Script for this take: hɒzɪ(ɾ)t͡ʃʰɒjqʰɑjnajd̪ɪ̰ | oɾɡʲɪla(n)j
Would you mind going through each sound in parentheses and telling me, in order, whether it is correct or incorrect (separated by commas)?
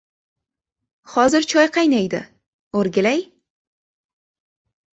correct, incorrect